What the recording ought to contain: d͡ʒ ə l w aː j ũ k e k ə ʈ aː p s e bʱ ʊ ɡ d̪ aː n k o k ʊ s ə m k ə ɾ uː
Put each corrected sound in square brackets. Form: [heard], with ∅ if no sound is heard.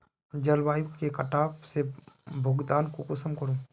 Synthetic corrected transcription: d͡ʒ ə l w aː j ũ k e k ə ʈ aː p s e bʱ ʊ ɡ d̪ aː n k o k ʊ s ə m k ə ɾ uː